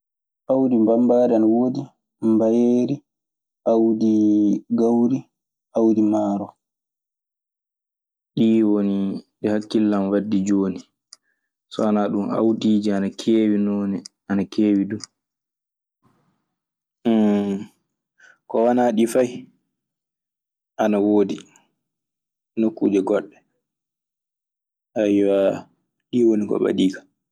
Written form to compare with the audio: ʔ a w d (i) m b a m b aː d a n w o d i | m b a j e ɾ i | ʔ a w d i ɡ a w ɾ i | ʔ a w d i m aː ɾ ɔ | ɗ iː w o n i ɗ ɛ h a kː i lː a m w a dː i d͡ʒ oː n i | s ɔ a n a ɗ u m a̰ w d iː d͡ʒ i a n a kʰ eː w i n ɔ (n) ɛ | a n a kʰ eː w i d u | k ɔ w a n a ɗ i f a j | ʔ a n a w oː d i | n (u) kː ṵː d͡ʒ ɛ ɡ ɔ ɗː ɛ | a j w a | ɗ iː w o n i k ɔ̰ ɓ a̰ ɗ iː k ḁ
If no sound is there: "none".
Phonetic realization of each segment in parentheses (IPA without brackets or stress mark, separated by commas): i, n, o